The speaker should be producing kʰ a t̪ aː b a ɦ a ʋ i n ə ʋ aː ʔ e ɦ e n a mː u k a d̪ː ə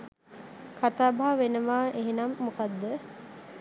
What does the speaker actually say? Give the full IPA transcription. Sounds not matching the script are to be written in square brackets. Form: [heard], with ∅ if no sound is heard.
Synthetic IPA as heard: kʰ a t̪ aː b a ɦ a ʋ [e] n ə ʋ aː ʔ e ɦ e n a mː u k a d̪ː ə